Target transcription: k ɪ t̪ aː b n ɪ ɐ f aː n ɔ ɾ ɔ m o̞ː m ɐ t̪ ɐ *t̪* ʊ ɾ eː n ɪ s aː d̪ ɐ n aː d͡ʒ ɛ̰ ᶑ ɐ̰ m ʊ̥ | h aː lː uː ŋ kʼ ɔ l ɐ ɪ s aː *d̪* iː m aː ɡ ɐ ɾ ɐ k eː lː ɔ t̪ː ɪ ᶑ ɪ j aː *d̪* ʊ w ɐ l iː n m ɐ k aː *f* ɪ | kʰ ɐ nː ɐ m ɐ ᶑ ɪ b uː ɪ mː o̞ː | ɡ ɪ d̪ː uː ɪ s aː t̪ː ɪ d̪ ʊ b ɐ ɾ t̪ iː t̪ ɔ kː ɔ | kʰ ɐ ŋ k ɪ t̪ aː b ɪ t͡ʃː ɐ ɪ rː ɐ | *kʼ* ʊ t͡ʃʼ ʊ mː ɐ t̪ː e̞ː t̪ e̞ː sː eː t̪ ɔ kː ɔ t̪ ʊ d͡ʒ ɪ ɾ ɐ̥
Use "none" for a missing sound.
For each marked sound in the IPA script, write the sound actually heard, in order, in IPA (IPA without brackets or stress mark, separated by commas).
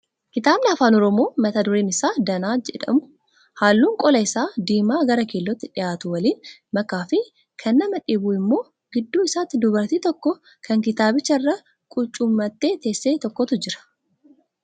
d̪, d̪, t̪, f, kʼ